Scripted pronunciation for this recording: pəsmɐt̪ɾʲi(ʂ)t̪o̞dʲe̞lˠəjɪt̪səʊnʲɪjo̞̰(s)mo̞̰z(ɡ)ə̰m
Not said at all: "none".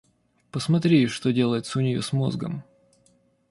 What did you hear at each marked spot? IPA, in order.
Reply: ʂ, s, ɡ

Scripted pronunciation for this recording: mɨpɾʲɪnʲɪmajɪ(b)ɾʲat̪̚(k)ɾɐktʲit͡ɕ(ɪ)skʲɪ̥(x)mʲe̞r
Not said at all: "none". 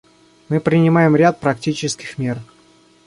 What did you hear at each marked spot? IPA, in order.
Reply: m, p, ɪ, x

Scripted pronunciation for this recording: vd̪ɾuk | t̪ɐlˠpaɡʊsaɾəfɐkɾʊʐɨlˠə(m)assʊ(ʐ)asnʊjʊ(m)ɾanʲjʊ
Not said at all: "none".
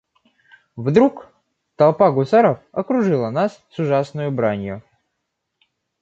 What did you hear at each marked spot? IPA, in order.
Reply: n, ʐ, b

